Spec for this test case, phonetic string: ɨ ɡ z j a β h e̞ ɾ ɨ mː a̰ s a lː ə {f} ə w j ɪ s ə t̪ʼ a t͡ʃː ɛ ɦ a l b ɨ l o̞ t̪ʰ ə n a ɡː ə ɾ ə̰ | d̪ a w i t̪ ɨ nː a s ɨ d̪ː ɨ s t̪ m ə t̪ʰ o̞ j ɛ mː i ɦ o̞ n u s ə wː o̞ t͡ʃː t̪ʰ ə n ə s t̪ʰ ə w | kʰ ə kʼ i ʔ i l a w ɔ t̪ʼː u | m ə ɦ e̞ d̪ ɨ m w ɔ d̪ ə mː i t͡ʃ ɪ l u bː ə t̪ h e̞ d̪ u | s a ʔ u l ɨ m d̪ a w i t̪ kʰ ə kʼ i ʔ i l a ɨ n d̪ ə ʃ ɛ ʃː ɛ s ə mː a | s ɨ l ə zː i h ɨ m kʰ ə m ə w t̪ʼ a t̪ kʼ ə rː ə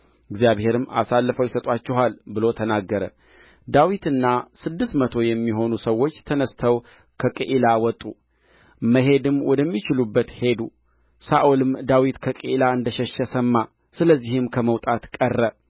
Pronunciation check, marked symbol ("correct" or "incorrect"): correct